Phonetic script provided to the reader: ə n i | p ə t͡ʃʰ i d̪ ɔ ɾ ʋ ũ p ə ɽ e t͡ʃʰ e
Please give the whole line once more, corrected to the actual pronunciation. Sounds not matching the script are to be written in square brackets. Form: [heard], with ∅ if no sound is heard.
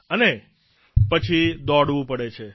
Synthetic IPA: ə n [e] | p ə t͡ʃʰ i d̪ ɔ [ɽ] ʋ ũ p ə ɽ e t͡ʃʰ e